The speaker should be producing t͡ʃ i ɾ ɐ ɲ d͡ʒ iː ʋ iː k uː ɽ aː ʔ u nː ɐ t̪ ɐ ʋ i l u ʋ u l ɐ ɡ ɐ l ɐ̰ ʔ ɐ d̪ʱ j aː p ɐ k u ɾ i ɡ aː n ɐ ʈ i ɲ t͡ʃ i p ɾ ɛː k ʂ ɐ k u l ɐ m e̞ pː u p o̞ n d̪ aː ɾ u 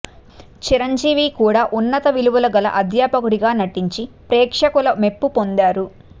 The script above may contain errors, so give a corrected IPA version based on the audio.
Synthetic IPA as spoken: t͡ʃ i ɾ ɐ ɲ d͡ʒ iː ʋ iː k uː ɽ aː ʔ u nː ɐ t̪ ɐ ʋ i l u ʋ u l ɐ ɡ ɐ l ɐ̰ ʔ ɐ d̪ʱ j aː p ɐ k u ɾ i ɡ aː n ɐ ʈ i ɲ t͡ʃ i p ɾ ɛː k ʂ ɐ k u l ɐ m e̞ pː u p o̞ n d̪ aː ɾ u

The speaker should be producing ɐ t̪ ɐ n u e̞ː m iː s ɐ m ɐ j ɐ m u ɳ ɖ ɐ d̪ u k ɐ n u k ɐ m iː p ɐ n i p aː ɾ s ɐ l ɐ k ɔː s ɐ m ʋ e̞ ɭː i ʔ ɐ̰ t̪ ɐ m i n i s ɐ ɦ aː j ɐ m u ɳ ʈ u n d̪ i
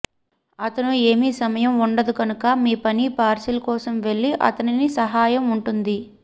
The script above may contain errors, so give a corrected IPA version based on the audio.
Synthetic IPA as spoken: ɐ t̪ ɐ n u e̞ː m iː s ɐ m ɐ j ɐ m u ɳ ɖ ɐ d̪ u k ɐ n u k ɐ m iː p ɐ n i p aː ɾ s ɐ l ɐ k ɔː s ɐ m ʋ e̞ ɭː i ʔ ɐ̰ t̪ ɐ n i n i s ɐ ɦ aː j ɐ m u ɳ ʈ u n d̪ i

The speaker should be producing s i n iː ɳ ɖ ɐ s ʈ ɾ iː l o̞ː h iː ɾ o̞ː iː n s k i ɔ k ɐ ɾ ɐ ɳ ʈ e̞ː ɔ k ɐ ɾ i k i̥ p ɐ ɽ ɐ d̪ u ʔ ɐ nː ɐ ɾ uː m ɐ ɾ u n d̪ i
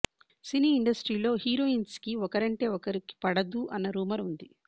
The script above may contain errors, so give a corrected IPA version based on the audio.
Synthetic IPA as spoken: s i n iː ɳ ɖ ɐ s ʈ ɾ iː l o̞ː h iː ɾ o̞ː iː n s k i ɔ k ɐ ɾ ɐ ɳ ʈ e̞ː ɔ k ɐ ɾ i k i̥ p ɐ ɽ ɐ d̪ u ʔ ɐ nː ɐ ɾ uː m ɐ ɾ u n d̪ i

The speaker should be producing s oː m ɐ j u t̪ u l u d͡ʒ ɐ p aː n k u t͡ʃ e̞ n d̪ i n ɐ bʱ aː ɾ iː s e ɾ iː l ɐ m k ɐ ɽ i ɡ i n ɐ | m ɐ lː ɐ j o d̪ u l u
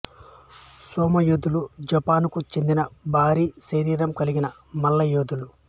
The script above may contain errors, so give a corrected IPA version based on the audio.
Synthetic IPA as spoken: s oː m ɐ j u d̪ u l u d͡ʒ ɐ p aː n k u t͡ʃ e̞ n d̪ i n ɐ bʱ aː ɾ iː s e ɾ iː ɾ ɐ m k ɐ l i ɡ i n ɐ | m ɐ lː ɐ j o d̪ u l u

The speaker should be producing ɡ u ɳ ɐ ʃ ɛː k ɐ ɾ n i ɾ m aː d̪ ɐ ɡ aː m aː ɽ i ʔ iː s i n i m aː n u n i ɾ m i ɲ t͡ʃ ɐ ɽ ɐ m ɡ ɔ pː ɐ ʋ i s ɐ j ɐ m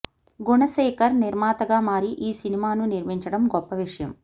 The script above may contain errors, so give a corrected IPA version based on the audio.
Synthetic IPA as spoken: ɡ u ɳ ɐ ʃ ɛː k ɐ ɾ n i ɾ m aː t̪ ɐ ɡ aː m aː ɾ i ʔ iː s i n i m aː n u n i ɾ m i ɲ t͡ʃ ɐ ɽ ɐ m ɡ ɔ pː ɐ ʋ i ʂ ɐ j ɐ m

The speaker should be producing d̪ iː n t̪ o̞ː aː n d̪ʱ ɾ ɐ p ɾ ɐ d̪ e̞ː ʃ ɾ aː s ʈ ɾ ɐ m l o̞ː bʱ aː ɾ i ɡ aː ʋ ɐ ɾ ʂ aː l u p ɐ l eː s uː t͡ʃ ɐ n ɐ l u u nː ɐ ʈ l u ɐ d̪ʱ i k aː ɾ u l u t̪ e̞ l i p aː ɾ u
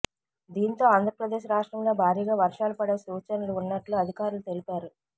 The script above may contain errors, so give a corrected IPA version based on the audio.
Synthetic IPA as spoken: d̪ iː n t̪ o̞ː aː n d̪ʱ ɾ ɐ p ɾ ɐ d̪ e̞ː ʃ ɾ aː ʂ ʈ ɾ ɐ m l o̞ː bʱ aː ɾ iː ɡ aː ʋ ɐ ɾ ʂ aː l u p ɐ ɽ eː s uː t͡ʃ ɐ n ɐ l u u nː ɐ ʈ l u ɐ d̪ʱ i k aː ɾ u l u t̪ e̞ l i p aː ɾ u

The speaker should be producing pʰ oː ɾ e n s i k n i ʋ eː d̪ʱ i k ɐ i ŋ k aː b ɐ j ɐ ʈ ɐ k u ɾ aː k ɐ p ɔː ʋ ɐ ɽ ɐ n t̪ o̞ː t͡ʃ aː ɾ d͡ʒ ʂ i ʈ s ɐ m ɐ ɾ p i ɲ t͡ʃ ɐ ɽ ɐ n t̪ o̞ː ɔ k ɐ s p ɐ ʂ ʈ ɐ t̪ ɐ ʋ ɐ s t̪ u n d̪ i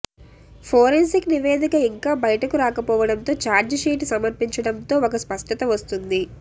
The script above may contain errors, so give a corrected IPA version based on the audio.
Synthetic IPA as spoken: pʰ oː ɾ e n s i k n i ʋ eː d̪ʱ i k ɐ i ŋ k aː b ɐ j ɐ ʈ ɐ k u ɾ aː k ɐ p ɔː ʋ ɐ ɽ ɐ n t̪ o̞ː t͡ʃ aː ɾ d͡ʒ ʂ iː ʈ s ɐ m ɐ ɾ p i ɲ t͡ʃ ɐ ɽ ɐ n t̪ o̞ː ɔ k ɐ s p ɐ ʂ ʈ ɐ t̪ ɐ ʋ ɐ s t̪ u n d̪ i

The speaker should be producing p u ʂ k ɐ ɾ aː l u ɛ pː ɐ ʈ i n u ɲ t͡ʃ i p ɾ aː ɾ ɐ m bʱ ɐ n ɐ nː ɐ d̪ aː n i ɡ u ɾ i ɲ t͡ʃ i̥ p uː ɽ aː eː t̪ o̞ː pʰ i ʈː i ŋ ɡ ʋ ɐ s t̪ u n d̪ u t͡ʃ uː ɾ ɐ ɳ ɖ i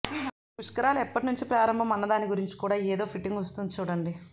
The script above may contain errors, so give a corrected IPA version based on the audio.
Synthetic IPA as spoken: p u ʂ k ɐ ɾ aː l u ɛ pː ɐ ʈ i n u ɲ t͡ʃ i p ɾ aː ɾ ɐ m bʱ ɐ m ɐ nː ɐ d̪ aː n i ɡ u ɾ i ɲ t͡ʃ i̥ k uː ɽ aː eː d̪ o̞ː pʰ i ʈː i ŋ ɡ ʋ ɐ s t̪ u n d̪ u t͡ʃ uː ɽ ɐ ɳ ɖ i

